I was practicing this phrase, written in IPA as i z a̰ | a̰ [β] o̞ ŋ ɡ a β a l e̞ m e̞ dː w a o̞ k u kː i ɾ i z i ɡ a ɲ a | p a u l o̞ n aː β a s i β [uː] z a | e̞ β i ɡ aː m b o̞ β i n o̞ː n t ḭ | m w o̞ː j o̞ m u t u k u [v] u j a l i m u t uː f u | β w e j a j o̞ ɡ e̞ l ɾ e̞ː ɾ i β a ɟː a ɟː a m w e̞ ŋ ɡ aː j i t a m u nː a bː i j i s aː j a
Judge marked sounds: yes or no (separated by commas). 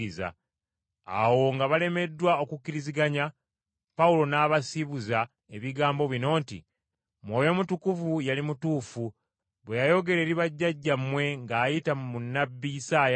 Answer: no, no, yes